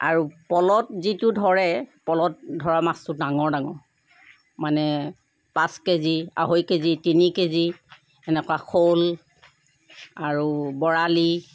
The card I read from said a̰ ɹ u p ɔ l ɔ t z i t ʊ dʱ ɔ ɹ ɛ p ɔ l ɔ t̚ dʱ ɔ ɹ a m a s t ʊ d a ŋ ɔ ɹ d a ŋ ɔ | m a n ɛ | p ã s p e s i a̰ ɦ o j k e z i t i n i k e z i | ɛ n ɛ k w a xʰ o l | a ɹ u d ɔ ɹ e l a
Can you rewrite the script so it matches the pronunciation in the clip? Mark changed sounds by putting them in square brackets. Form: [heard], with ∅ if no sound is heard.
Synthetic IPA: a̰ ɹ u p ɔ l ɔ t z i t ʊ dʱ ɔ ɹ ɛ p ɔ l ɔ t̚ dʱ ɔ ɹ a m a s t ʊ d a ŋ ɔ ɹ d a ŋ ɔ | m a n ɛ | p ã s [k] e [z] i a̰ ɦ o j k e z i t i n i k e z i | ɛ n ɛ k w a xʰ o l | a ɹ u [b] ɔ ɹ [a] l [i]

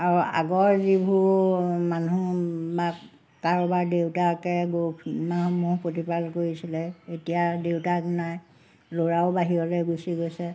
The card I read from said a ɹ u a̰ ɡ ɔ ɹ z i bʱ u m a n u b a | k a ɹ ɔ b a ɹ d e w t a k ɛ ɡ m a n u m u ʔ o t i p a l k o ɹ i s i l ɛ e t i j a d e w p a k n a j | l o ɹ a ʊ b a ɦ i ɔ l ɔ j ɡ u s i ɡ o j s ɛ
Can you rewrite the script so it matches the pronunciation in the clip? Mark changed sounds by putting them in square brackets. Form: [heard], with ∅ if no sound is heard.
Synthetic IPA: a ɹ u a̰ ɡ ɔ ɹ z i bʱ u m a n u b a | k a ɹ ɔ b a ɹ d e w t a k ɛ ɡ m a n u m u [p] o t i p a l k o ɹ i s i l ɛ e t i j a d e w [t] a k n a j | l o ɹ a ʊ b a ɦ i ɔ l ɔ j ɡ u s i ɡ o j s ɛ

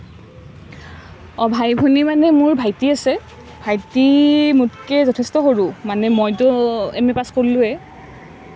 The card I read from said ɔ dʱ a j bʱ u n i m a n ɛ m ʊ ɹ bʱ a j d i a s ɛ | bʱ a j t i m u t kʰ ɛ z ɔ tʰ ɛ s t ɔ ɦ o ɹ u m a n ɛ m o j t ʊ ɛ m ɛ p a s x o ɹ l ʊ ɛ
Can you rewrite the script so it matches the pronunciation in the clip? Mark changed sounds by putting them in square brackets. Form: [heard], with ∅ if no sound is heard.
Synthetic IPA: ɔ [bʱ] a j bʱ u n i m a n ɛ m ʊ ɹ bʱ a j [t] i a s ɛ | bʱ a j t i m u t [k] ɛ z ɔ tʰ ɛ s t ɔ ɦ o ɹ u m a n ɛ m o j t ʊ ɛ m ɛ p a s [k] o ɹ l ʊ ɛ

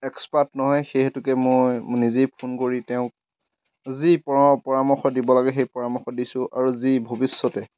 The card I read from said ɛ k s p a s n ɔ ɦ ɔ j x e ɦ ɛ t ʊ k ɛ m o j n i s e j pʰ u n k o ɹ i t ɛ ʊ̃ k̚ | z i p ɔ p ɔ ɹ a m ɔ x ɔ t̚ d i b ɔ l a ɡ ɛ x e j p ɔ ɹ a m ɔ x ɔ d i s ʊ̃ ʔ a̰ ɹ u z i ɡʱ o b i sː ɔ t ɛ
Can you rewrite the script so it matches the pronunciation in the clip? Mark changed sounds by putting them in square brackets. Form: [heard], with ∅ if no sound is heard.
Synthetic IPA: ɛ k s p a [t] n ɔ ɦ ɔ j x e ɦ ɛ t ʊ k ɛ m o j n i [z] e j pʰ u n k o ɹ i t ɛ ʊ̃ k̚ | z i p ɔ p ɔ ɹ a m ɔ x ɔ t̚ d i b ɔ l a ɡ ɛ x e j p ɔ ɹ a m ɔ x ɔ d i s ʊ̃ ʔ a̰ ɹ u z i [bʱ] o b i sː ɔ t ɛ

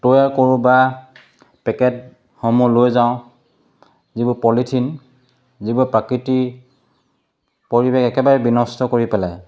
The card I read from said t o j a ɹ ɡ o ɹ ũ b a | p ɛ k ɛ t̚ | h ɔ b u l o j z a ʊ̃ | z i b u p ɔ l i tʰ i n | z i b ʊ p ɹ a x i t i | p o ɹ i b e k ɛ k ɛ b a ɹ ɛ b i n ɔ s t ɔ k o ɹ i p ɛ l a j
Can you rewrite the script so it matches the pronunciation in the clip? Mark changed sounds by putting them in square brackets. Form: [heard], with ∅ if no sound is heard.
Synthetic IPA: t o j a ɹ [k] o ɹ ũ b a | p ɛ k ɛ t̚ | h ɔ [m] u l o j z a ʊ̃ | z i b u p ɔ l i tʰ i n | z i b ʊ p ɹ a [k] i t i | p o ɹ i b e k ɛ k ɛ b a ɹ ɛ b i n ɔ s t ɔ k o ɹ i p ɛ l a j

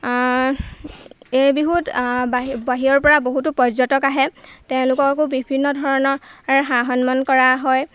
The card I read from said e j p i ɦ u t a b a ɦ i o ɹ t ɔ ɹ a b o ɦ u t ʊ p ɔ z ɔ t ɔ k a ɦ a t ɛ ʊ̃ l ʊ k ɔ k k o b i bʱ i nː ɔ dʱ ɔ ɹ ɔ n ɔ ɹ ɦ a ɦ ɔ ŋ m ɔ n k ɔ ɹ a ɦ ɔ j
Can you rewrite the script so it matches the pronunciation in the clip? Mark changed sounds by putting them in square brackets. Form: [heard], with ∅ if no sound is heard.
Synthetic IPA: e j [b] i ɦ u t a b a ɦ i [ɔ] ɹ [p] ɔ ɹ a b o ɦ u t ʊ p ɔ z ɔ t ɔ k a ɦ [ɛ] t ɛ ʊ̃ l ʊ k ɔ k k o b i bʱ i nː ɔ dʱ ɔ ɹ ɔ n ɔ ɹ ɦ a ɦ ɔ [n] m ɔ n k ɔ ɹ a ɦ ɔ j

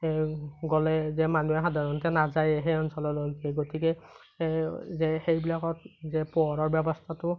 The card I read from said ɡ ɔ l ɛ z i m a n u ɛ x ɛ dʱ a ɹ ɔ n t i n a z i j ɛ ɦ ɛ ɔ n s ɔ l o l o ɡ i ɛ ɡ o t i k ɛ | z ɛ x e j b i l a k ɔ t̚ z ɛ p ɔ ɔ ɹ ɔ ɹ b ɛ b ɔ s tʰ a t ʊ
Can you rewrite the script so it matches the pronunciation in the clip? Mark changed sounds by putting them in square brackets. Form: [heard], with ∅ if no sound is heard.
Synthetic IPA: ɡ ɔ l ɛ z [ɛ] m a n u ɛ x [a] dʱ a ɹ ɔ n t [ɛ] n a z [a] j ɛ ɦ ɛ ɔ n s ɔ l [ɔ] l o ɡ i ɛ ɡ o t i k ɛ | z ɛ x e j b i l a k ɔ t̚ z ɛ p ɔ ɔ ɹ ɔ ɹ b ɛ b ɔ s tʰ a t ʊ

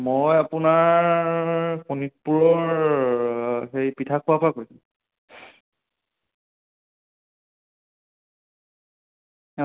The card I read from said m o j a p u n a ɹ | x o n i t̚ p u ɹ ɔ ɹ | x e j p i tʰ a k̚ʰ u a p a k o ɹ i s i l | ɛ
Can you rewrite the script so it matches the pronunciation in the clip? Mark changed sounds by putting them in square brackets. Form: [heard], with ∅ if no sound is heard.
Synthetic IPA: m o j a p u n a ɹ | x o n i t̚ p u ɹ ɔ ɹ | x e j p i tʰ a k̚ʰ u a p a k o ɹ i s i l | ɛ

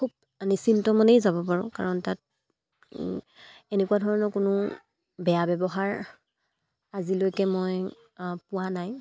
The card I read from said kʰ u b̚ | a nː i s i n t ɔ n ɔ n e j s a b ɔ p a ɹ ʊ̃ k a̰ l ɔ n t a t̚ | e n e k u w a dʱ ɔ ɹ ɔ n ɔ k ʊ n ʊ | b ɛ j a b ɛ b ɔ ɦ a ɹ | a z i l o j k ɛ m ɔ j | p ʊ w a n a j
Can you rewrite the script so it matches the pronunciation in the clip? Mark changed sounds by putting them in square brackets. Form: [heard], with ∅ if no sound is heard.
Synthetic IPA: kʰ u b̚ | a [n] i s i n t ɔ [m] ɔ n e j [z] a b ɔ p a ɹ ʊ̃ k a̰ [ɹ] ɔ n t a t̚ | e n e k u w a dʱ ɔ ɹ ɔ n ɔ k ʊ n ʊ | b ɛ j a b ɛ b ɔ ɦ a ɹ | a z i l o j k ɛ m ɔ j | p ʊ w a n a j

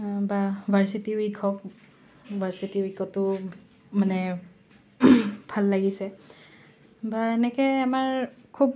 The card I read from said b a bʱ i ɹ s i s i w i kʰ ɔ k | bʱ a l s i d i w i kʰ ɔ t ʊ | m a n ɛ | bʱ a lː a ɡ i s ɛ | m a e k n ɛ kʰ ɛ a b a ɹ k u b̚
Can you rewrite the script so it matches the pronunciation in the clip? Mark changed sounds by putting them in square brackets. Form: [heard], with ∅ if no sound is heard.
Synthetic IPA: b a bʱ [a] ɹ s i [t] i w i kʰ ɔ k | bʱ a [ɹ] s i [t] i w i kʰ ɔ t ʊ | m a n ɛ | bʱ a lː a ɡ i s ɛ | [b] a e [∅] n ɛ [k] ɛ a [m] a ɹ [kʰ] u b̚

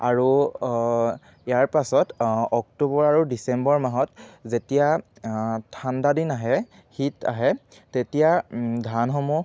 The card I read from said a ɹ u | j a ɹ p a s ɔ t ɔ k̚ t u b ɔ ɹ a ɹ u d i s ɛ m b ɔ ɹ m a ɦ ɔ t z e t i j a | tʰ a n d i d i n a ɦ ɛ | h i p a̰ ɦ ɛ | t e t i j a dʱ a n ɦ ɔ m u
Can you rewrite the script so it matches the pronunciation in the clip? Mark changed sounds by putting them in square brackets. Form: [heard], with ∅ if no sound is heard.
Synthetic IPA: a ɹ u | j a ɹ p a s ɔ t ɔ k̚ t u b ɔ ɹ a ɹ u d i s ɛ m b ɔ ɹ m a ɦ ɔ t z e t i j a | tʰ a n d [a] d i n a ɦ ɛ | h i [t] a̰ ɦ ɛ | t e t i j a dʱ a n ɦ ɔ m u

